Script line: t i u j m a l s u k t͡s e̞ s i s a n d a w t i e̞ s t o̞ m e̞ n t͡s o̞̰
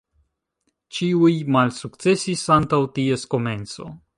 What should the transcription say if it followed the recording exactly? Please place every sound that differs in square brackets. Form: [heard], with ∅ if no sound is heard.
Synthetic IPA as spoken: [t͡ʃ] i u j m a l s u k t͡s e̞ s i s a n [t] a w t i e̞ s [k] o̞ m e̞ n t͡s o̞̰